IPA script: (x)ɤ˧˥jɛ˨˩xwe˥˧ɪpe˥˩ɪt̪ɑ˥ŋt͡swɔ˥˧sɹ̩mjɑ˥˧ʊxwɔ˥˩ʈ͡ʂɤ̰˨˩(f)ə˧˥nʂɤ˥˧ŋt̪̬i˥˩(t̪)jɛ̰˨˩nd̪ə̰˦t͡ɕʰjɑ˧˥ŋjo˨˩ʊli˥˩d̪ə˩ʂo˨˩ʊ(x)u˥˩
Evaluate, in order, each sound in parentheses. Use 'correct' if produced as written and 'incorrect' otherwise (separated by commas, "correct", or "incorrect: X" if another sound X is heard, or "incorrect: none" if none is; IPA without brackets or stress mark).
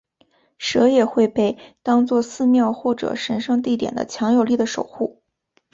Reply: incorrect: ʂ, incorrect: ʂ, correct, correct